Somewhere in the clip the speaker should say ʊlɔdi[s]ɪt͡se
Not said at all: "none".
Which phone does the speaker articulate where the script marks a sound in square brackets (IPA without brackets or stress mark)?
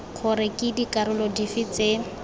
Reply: f